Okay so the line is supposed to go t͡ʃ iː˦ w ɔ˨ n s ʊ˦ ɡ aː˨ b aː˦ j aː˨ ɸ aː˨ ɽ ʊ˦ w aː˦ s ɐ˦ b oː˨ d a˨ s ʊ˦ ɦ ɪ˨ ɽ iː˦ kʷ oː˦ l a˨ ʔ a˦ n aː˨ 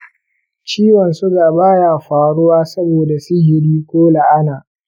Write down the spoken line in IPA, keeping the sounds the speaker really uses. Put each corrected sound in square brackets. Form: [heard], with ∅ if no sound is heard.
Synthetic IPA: t͡ʃ iː˦ w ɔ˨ n s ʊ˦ ɡ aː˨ b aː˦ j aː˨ ɸ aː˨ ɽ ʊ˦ w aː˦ s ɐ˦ b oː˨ d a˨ s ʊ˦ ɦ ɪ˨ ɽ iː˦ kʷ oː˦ l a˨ ʔ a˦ n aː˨

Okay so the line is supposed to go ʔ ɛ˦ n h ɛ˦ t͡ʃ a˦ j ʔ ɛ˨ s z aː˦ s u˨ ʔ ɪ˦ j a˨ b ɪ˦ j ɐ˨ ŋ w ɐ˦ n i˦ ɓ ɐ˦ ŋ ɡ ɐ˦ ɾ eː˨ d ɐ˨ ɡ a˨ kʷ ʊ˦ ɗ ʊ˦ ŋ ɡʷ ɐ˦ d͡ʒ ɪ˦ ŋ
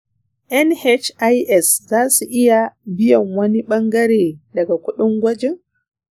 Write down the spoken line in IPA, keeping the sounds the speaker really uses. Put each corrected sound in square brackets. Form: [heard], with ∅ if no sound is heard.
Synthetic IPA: ʔ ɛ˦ n h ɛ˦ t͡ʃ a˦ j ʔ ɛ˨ s z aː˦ s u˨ ʔ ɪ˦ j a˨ b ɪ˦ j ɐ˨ ŋ w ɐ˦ n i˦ ɓ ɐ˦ ŋ ɡ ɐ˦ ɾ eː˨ d ɐ˨ ɡ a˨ kʷ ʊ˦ ɗ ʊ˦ ŋ ɡʷ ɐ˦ d͡ʒ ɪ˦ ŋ

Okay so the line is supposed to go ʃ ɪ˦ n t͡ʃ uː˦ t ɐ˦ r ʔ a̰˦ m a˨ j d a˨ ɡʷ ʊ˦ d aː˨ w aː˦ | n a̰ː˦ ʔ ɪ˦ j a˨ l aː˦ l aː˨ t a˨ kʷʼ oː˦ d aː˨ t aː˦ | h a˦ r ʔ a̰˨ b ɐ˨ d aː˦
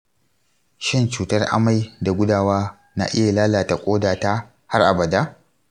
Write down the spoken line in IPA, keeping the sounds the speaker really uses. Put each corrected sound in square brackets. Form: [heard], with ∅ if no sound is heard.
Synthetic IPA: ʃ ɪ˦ n t͡ʃ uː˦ t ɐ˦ r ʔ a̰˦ m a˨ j d a˨ ɡʷ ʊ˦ d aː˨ w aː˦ | n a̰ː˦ ʔ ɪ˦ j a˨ l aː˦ l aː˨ t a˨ kʷʼ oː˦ d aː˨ t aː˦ | h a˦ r ʔ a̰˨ b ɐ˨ d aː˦

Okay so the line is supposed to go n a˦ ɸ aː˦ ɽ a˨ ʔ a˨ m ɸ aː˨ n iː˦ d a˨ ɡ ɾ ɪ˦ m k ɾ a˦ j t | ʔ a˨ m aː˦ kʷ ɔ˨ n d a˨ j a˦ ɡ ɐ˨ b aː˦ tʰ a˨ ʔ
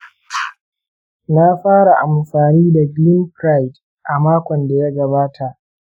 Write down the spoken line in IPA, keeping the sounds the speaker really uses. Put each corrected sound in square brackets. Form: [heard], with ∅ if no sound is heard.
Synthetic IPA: n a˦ ɸ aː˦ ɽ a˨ ʔ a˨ m ɸ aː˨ n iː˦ d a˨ ɡ [l] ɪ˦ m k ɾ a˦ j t | ʔ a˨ m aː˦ kʷ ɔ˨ n d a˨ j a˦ ɡ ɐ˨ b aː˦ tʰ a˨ ʔ

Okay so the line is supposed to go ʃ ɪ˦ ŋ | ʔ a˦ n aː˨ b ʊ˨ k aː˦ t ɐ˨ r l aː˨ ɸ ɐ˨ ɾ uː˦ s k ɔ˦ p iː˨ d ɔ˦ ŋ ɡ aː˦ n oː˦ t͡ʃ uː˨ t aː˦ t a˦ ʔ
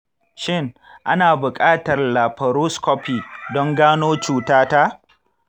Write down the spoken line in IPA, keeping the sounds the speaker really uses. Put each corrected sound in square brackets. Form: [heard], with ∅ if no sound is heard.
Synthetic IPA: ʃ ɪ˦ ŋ | ʔ a˦ n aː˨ b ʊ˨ [kʼ] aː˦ t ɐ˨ r l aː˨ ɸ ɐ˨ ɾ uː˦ s k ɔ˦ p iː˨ d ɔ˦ ŋ ɡ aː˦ n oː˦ t͡ʃ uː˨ t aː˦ t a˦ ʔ

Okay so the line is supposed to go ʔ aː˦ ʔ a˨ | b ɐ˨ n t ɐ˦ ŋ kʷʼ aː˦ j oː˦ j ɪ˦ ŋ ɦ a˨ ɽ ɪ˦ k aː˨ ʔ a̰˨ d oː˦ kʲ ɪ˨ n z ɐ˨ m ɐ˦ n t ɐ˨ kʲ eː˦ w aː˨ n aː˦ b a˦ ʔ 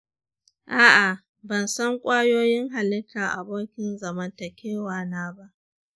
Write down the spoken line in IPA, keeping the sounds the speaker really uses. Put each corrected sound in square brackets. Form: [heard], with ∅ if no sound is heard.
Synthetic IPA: ʔ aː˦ ʔ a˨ | b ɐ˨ n [s] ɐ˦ ŋ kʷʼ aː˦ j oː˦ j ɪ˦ ŋ ɦ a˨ [l] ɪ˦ k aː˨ ʔ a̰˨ [b] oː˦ kʲ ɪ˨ n z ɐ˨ m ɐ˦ n t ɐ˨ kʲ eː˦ w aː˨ n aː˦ b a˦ ʔ

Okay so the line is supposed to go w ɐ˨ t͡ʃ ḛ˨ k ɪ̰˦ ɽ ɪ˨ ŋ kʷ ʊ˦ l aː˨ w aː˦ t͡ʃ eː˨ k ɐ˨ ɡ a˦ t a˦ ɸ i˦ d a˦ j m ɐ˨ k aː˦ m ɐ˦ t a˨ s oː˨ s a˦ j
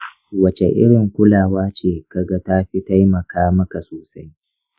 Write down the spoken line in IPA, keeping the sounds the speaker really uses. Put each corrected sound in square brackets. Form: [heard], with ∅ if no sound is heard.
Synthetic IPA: w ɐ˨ t͡ʃ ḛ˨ [ʔ] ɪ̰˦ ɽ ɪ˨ ŋ kʷ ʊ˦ l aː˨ w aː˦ t͡ʃ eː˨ k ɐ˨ ɡ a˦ t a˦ ɸ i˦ [t] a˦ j m ɐ˨ k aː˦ m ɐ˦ [k] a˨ s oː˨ s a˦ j

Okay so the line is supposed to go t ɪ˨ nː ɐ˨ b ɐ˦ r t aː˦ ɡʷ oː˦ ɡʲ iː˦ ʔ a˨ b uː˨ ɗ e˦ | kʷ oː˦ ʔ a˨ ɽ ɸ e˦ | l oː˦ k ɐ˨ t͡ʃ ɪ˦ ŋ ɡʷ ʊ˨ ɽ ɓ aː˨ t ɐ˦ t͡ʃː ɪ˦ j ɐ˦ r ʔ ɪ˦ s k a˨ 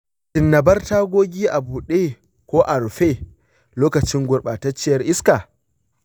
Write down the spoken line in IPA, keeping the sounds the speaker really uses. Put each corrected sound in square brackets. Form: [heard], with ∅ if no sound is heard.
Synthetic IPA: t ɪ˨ nː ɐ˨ b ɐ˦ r t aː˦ ɡʷ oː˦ ɡʲ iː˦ ʔ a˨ b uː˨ ɗ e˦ | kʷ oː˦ ʔ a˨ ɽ ɸ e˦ | l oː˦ k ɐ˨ t͡ʃ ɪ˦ ŋ ɡʷ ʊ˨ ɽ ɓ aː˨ t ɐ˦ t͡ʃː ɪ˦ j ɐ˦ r ʔ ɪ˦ s k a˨

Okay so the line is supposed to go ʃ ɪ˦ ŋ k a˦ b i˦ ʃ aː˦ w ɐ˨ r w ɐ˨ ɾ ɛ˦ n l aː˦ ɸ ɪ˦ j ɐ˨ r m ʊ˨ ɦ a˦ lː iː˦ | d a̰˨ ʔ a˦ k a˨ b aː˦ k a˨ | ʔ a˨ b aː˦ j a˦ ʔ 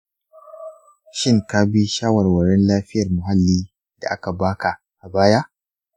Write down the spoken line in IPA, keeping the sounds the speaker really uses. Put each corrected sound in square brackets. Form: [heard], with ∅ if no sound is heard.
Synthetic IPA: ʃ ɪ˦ ŋ k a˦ b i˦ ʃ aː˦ w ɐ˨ r w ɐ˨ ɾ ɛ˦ n l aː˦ ɸ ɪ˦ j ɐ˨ r m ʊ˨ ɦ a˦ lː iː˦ | d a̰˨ ʔ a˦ k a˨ b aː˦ k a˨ | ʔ a˨ b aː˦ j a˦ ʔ

